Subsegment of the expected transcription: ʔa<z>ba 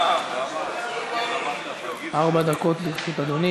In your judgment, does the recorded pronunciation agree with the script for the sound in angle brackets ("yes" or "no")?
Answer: no